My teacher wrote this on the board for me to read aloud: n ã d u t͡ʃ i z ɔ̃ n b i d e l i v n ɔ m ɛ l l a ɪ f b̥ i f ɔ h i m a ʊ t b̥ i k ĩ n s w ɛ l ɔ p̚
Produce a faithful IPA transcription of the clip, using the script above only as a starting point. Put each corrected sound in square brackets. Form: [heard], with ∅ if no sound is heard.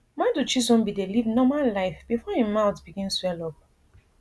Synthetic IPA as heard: [m] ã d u t͡ʃ i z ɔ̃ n b i d e l i v n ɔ m [a] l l a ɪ f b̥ i f ɔ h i m a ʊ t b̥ i [ɡ] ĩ n s w ɛ l ɔ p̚